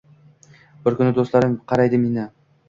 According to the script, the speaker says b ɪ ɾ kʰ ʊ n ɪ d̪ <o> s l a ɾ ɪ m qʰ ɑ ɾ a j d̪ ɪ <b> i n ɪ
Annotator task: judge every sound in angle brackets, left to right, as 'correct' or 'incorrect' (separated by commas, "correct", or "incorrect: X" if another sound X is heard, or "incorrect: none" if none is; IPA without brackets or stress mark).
correct, incorrect: m